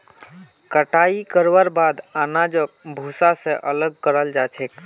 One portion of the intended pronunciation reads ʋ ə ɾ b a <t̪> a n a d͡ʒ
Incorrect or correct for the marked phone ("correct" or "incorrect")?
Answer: incorrect